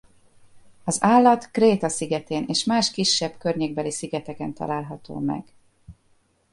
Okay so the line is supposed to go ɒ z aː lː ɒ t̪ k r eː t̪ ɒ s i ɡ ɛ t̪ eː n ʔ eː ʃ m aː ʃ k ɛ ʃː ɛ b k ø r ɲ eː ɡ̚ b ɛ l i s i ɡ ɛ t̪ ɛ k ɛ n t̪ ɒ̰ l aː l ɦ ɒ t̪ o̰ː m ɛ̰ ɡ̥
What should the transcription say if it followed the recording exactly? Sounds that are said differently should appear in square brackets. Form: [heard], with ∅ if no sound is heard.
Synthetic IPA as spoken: ɒ z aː lː ɒ t̪ k r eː t̪ ɒ s i ɡ ɛ t̪ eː n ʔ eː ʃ m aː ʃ k [i] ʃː ɛ b k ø r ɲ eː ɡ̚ b ɛ l i s i ɡ ɛ t̪ ɛ k ɛ n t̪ ɒ̰ l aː l ɦ ɒ t̪ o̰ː m ɛ̰ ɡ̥